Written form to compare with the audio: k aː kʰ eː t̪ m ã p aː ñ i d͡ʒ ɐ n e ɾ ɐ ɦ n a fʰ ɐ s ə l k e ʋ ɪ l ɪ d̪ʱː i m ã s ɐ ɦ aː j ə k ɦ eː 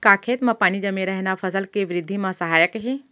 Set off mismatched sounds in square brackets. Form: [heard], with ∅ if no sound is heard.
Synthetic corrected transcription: k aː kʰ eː t̪ m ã p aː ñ i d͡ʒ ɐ [m] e ɾ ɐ ɦ n a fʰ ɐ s ə l k e ʋ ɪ [ɾ] ɪ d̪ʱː i m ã s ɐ ɦ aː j ə k ɦ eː

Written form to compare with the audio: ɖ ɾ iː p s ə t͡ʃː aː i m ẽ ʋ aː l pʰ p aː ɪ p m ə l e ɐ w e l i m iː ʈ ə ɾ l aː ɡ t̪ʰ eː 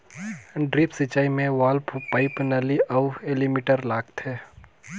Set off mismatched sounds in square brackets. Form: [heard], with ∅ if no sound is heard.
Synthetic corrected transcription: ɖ ɾ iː p s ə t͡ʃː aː i m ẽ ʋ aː l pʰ p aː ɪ p [n] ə l [i] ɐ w e l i m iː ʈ ə ɾ l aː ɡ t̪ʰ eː

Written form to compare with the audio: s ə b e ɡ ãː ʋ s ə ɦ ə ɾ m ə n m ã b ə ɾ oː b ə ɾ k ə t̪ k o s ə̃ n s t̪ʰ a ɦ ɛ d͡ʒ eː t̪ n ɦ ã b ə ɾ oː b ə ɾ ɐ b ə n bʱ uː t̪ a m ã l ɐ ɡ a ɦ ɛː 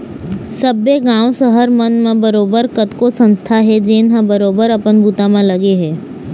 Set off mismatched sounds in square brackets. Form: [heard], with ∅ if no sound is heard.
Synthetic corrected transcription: s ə b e ɡ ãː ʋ s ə ɦ ə ɾ m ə n m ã b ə ɾ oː b ə ɾ k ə t̪ k o s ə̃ n s t̪ʰ a ɦ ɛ d͡ʒ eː [∅] n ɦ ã b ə ɾ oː b ə ɾ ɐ [p] ə n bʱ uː t̪ a m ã l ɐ ɡ [e] ɦ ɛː

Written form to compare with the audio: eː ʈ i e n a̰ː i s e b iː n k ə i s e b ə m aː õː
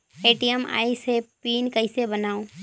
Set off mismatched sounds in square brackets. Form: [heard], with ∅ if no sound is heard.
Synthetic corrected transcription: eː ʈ i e [m] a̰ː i s e [p] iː n k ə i s e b ə [n] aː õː

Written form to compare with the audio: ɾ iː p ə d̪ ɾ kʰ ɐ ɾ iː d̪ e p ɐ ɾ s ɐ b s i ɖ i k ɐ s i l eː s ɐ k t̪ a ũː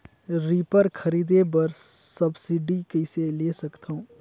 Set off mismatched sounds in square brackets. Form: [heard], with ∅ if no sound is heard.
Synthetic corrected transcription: ɾ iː p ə [∅] ɾ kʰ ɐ ɾ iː d̪ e [b] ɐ ɾ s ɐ b s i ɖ i k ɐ s [e] l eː s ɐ k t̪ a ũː

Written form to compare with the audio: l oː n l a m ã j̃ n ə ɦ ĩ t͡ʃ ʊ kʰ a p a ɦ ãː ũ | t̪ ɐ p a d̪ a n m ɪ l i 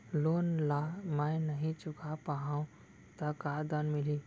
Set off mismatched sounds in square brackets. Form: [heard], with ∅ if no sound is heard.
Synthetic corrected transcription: l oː n l a m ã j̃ n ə ɦ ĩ t͡ʃ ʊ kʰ a p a ɦ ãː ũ | t̪ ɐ [k] a d̪ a n m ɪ l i

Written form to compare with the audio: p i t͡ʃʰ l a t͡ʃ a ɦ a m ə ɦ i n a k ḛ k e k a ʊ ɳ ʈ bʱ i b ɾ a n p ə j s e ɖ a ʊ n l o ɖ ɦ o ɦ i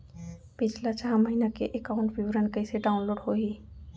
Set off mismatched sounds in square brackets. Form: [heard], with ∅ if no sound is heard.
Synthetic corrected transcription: p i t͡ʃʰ l a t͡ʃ a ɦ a m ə ɦ i n a k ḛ [ʔ] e k a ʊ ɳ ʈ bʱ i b ɾ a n [k] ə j s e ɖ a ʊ n l o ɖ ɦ o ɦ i

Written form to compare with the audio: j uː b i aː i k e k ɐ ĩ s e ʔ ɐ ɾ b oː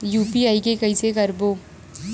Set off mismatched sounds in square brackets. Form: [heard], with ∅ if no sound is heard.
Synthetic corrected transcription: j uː [p] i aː i k e k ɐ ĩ s e [k] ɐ ɾ b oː

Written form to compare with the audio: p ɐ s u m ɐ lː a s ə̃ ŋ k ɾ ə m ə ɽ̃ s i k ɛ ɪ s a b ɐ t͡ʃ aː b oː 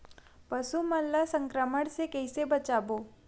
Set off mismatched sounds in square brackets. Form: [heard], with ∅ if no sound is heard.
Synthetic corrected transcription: p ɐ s u m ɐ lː a s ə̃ ŋ k ɾ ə m ə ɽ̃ s [e] k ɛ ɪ s [e] b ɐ t͡ʃ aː b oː

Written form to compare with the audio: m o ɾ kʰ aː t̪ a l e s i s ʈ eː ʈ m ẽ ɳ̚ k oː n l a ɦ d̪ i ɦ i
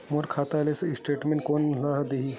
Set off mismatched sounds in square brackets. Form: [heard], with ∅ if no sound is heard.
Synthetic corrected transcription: m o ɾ kʰ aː t̪ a l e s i s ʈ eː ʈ m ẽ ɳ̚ k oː n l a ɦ d̪ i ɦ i

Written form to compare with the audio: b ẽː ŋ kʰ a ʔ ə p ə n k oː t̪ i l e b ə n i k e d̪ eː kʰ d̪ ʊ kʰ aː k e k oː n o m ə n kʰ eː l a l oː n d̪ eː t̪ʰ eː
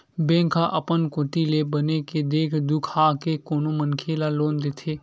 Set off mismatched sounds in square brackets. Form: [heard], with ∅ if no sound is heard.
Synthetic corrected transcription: b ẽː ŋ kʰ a ʔ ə p ə n k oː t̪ i l e b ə n [e] k e d̪ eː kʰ d̪ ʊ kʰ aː k e k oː n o m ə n kʰ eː l a l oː n d̪ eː t̪ʰ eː

